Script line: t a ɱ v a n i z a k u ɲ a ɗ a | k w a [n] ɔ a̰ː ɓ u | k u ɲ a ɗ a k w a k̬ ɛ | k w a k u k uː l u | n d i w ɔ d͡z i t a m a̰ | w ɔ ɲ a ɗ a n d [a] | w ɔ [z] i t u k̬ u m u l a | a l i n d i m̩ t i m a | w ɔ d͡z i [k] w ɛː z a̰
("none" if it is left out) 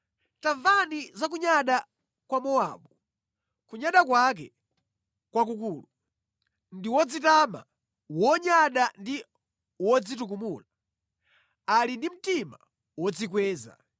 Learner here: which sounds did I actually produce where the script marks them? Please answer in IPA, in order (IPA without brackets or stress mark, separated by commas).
m, i, d͡z, k